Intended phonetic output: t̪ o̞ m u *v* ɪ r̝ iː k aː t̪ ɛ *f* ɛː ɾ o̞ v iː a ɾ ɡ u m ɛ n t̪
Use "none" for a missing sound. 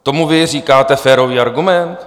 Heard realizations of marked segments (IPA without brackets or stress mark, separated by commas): v, f